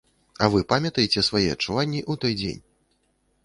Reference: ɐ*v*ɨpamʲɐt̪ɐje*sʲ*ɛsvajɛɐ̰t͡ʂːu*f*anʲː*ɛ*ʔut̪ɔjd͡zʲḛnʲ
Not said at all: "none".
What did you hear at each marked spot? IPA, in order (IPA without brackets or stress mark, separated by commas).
v, t͡sʲ, v, i